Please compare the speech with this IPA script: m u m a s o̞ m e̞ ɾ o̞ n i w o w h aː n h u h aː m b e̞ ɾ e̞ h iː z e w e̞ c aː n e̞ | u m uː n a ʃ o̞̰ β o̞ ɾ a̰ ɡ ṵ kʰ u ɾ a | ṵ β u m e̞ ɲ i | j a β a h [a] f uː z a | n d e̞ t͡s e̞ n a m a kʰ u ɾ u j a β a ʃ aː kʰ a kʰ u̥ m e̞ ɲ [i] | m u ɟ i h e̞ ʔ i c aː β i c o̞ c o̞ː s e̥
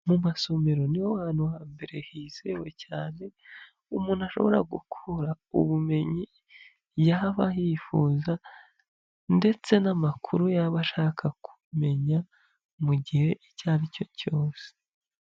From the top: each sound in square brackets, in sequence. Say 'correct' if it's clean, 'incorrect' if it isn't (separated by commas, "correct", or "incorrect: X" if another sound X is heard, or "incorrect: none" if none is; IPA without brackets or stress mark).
incorrect: i, incorrect: a